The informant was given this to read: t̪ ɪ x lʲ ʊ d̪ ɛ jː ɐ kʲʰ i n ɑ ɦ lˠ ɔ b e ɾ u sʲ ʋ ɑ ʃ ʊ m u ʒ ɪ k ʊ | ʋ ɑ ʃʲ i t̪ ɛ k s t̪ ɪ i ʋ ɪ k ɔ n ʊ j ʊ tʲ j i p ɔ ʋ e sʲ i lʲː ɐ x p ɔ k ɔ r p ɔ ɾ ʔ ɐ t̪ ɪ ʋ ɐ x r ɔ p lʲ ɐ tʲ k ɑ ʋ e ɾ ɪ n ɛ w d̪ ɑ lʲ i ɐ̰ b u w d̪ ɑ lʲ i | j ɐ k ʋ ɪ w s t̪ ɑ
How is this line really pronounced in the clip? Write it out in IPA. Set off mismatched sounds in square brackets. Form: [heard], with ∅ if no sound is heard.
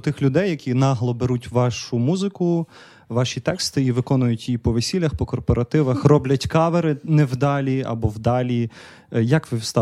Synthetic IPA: t̪ ɪ x lʲ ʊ d̪ ɛ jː ɐ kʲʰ i n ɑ ɦ lˠ ɔ b e ɾ u [tʲ] ʋ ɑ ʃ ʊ m u [z] ɪ k ʊ | ʋ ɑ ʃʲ i t̪ ɛ k s t̪ ɪ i ʋ ɪ k ɔ n ʊ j ʊ tʲ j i p ɔ ʋ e sʲ i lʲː ɐ x p ɔ k ɔ r p ɔ ɾ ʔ ɐ t̪ ɪ ʋ ɐ x r ɔ [b] lʲ ɐ tʲ k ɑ ʋ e ɾ ɪ n ɛ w d̪ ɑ lʲ i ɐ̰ b [ɔ] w d̪ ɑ lʲ i | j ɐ k ʋ ɪ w s t̪ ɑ